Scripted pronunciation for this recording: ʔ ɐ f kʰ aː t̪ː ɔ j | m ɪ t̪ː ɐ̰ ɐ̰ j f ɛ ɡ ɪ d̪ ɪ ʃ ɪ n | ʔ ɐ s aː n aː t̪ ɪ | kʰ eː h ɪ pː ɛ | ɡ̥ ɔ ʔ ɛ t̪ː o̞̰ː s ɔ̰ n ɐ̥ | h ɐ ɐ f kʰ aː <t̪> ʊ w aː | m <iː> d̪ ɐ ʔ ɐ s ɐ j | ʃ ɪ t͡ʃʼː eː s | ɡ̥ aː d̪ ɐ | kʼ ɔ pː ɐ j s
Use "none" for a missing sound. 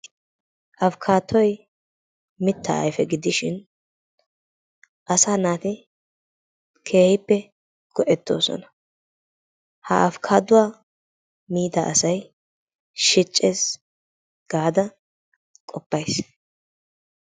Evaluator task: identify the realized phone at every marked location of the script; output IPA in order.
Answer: d̪, iː

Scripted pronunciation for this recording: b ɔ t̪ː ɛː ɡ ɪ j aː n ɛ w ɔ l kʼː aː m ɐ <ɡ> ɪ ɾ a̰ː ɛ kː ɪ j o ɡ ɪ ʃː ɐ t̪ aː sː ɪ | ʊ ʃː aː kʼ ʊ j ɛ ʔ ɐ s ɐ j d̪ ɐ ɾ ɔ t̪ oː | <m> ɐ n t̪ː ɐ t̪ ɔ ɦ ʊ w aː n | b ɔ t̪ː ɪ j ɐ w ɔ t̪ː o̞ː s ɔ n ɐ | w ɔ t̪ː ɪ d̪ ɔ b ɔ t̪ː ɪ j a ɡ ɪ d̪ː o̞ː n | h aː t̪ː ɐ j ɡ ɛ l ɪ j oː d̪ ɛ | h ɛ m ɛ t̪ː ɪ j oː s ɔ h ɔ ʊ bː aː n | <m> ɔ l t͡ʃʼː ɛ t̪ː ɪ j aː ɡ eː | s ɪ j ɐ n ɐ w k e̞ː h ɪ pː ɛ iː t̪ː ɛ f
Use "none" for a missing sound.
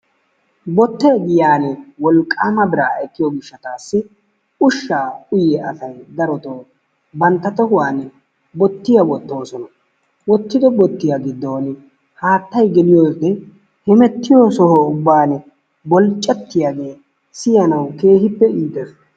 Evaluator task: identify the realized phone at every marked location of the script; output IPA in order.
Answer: b, b, b

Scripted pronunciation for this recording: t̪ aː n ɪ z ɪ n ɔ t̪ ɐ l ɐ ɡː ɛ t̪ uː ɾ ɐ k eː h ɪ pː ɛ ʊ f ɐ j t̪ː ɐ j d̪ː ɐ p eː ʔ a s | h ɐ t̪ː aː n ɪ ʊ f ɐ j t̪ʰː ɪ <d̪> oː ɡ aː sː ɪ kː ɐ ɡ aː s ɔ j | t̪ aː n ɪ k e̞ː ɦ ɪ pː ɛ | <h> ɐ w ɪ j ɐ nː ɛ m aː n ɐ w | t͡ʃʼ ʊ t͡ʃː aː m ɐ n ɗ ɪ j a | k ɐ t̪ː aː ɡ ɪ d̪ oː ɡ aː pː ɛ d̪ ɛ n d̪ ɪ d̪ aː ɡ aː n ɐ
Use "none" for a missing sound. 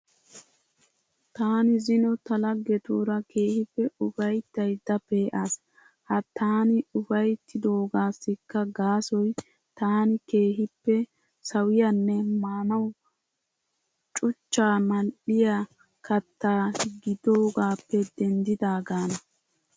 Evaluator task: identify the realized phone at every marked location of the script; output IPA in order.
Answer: d̪, s

